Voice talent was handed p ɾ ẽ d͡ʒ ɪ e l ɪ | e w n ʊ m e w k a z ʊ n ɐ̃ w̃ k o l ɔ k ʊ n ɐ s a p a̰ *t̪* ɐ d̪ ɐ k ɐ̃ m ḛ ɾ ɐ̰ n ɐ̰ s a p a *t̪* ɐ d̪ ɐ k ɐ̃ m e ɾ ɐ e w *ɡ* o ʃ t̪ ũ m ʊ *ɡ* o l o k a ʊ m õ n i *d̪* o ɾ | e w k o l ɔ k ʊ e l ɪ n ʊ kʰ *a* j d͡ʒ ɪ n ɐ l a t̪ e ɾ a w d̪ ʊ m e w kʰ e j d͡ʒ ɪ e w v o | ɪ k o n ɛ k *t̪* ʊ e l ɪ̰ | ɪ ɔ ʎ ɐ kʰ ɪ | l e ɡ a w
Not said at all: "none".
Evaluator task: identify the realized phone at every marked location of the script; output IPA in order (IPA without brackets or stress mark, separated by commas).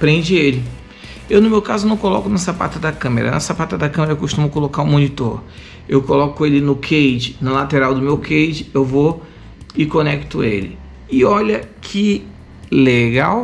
t̪, t̪, k, k, t̪, e, t̪